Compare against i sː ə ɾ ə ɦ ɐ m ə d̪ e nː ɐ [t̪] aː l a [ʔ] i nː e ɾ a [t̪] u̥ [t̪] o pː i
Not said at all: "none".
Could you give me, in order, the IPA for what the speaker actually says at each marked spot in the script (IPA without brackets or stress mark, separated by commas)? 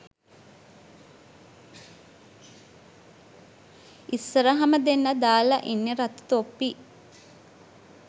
d̪, ʔ, t̪, t̪